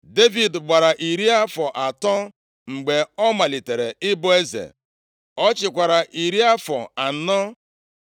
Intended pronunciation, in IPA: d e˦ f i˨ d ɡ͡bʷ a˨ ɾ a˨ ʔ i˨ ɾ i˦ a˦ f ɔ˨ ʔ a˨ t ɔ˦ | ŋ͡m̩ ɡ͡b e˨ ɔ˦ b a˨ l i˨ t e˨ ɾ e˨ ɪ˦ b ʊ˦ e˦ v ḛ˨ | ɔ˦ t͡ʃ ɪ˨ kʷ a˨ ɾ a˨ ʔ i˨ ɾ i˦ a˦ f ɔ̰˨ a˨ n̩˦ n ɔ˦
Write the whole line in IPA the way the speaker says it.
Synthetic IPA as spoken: d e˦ v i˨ d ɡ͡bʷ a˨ ɾ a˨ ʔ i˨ ɾ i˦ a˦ f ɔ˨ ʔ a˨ t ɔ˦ | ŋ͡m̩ ɡ͡b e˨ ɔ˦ m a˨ l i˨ t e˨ ɾ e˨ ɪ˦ b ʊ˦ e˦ z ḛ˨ | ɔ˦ t͡ʃ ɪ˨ kʷ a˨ ɾ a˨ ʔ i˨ ɾ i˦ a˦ f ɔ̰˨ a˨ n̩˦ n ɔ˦